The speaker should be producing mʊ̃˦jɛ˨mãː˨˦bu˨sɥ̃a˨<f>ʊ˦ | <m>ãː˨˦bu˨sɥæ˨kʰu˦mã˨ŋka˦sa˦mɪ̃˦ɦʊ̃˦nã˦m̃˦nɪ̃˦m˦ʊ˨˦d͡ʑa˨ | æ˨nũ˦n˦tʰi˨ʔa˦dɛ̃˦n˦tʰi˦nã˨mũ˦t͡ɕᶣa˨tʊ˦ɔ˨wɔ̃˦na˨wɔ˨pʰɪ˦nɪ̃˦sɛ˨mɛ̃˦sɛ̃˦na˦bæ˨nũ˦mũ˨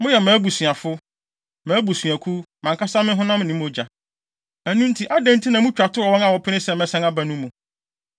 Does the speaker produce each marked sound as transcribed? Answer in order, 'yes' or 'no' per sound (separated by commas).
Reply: yes, yes